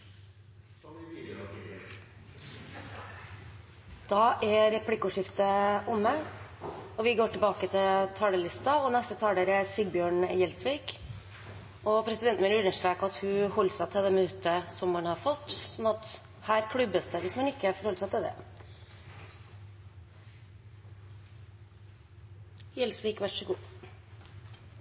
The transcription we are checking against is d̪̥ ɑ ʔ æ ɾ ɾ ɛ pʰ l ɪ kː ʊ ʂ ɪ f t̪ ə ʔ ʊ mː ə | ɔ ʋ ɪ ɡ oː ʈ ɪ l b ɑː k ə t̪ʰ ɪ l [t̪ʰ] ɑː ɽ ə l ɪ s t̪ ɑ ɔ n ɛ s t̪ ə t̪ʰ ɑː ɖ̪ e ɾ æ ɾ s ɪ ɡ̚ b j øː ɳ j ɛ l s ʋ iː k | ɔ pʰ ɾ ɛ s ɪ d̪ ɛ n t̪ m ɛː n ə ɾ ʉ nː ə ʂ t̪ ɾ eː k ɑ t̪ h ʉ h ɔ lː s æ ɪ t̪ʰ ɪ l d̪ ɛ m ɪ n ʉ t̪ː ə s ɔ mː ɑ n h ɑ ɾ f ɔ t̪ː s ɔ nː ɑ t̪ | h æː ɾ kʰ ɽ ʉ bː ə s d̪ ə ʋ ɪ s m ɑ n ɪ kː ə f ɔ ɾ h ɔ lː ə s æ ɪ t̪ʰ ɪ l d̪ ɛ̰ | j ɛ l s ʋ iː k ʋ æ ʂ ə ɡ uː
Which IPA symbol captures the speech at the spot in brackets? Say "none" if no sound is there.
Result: t̪ʰ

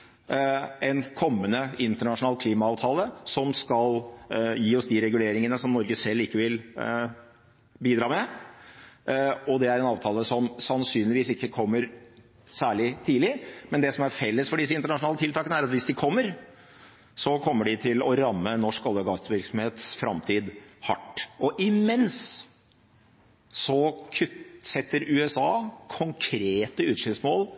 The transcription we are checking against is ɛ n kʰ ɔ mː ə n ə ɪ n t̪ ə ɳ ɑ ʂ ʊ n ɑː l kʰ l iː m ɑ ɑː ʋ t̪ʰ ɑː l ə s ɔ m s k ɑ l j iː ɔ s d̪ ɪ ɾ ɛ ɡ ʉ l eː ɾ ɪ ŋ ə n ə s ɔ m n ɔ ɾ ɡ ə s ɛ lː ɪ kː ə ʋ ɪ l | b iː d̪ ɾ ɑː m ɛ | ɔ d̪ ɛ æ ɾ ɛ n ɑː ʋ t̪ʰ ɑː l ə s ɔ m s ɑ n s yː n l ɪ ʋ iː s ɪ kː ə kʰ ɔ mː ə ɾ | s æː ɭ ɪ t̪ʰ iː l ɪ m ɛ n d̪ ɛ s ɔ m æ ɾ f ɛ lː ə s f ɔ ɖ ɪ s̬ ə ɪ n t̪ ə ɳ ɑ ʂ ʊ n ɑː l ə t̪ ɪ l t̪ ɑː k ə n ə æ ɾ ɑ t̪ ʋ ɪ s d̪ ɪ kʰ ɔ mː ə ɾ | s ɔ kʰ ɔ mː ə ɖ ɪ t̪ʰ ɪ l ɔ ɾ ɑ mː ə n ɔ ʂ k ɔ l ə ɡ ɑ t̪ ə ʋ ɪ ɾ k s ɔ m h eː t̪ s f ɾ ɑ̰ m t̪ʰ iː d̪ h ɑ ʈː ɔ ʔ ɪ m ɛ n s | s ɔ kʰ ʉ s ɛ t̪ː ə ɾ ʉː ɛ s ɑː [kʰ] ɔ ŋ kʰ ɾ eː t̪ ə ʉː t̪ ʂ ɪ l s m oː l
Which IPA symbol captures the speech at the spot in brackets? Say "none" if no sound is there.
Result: kʰ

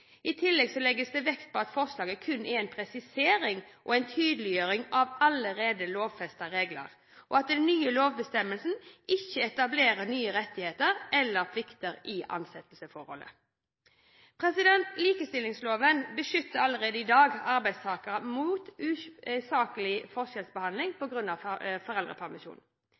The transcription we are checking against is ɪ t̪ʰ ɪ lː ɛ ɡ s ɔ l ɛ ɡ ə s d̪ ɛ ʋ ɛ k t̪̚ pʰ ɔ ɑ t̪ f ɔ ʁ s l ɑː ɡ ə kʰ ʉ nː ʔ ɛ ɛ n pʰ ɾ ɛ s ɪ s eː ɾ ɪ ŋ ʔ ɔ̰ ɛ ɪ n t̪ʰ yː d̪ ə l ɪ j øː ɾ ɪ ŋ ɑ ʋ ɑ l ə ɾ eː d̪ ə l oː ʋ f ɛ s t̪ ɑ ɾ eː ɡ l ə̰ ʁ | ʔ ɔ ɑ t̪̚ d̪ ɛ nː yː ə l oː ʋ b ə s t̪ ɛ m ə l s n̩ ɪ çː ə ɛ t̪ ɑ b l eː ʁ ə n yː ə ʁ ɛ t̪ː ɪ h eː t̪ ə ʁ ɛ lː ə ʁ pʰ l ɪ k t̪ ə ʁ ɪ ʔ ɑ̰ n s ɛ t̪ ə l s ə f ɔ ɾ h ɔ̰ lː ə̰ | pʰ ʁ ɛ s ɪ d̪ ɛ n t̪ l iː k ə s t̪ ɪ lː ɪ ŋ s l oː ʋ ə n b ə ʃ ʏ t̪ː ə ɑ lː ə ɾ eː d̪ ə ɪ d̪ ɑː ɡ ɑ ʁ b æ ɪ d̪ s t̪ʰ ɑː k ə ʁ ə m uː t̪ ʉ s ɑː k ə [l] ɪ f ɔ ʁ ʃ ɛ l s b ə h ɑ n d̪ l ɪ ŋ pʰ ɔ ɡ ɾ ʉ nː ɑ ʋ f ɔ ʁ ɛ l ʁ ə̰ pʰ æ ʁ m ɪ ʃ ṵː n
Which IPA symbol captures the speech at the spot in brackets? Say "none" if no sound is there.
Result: l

